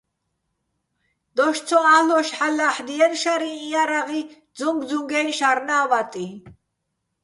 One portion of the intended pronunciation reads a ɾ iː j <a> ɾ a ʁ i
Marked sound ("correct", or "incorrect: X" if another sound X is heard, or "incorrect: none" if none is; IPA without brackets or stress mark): correct